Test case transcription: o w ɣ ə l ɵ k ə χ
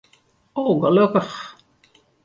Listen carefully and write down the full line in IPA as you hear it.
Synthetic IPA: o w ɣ ə l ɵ k ə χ